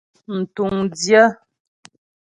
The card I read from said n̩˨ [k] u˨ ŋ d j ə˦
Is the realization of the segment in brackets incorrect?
yes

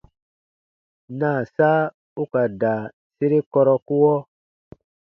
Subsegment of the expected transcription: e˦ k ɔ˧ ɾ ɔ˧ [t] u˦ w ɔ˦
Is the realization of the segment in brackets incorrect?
yes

